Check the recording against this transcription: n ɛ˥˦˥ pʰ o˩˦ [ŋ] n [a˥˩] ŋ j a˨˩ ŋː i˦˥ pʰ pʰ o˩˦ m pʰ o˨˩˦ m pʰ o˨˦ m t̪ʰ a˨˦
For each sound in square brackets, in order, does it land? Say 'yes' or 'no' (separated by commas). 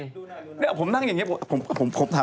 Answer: no, yes